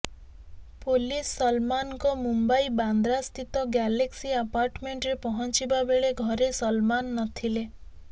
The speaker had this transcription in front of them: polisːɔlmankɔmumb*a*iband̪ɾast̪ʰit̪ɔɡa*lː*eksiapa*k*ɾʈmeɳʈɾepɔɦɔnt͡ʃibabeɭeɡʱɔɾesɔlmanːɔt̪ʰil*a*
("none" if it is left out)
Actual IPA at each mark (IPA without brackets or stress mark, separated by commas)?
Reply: a, l, none, e